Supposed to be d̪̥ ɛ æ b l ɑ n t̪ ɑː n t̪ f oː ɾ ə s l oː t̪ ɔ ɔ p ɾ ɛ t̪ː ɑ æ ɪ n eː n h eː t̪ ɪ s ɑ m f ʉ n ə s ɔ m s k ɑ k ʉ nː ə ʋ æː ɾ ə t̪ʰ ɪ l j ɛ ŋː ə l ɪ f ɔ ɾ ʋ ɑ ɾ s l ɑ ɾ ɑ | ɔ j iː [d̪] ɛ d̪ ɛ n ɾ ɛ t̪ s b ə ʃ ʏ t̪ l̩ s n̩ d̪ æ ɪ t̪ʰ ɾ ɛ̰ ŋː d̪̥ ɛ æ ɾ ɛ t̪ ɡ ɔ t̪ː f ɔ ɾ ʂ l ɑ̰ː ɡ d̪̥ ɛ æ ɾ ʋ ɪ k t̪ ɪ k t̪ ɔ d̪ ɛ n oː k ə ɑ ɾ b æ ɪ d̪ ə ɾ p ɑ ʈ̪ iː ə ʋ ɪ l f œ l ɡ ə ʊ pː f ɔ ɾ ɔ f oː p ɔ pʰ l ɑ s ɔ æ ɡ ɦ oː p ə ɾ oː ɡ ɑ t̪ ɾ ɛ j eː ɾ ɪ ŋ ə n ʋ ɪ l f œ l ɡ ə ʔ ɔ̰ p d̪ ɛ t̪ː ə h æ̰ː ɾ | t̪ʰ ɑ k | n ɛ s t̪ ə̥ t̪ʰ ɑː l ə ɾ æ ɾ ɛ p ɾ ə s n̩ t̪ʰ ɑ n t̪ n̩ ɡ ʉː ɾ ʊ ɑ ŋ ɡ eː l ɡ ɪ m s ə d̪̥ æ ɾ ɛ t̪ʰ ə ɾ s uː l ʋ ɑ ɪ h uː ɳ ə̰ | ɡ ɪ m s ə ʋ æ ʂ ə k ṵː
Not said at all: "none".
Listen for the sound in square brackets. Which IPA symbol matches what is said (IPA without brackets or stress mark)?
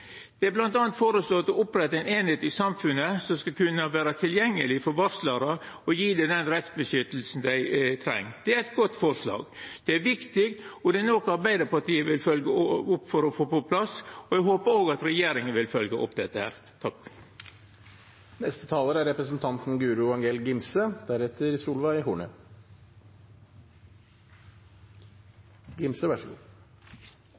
d̪